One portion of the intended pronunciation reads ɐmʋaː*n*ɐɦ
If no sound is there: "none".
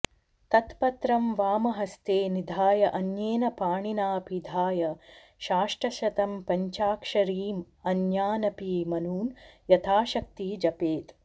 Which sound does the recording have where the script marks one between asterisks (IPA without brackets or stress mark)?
m